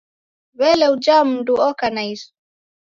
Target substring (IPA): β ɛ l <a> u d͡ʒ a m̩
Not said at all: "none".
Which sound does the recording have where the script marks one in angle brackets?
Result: ɛ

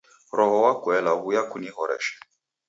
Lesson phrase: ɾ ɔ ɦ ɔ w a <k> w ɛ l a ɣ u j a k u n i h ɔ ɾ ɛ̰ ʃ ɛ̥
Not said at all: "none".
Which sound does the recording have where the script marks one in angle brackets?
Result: k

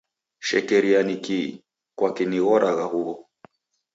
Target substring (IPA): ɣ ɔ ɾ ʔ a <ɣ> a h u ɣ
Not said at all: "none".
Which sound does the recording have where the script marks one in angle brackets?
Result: ɣ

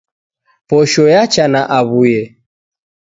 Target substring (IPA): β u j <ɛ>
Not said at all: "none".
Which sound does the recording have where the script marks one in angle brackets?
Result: ɛ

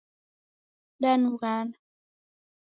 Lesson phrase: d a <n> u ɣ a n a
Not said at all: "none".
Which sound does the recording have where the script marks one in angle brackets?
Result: n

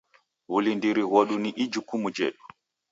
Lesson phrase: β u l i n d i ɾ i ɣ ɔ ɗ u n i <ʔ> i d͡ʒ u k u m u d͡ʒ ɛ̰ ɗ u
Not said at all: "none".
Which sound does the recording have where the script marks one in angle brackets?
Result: ʔ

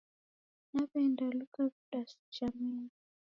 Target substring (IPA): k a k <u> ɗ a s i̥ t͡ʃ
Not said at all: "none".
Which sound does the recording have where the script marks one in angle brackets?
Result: u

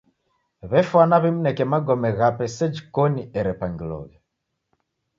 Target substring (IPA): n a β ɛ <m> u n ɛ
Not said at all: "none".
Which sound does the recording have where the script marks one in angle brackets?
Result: m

